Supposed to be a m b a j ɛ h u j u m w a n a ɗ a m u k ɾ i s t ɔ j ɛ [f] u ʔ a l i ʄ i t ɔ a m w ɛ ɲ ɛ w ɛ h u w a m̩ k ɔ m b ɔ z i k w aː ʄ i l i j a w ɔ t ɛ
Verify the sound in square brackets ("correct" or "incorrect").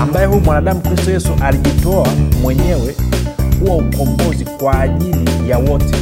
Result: incorrect